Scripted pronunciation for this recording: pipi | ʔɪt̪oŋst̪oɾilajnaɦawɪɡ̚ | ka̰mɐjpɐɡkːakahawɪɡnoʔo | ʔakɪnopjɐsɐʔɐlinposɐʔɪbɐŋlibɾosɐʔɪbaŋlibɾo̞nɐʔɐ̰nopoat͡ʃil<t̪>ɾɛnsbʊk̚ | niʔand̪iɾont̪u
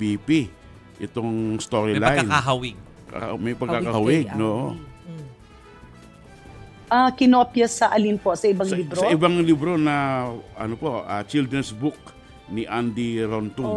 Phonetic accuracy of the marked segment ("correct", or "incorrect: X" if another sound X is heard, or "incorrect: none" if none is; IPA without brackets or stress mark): incorrect: d̪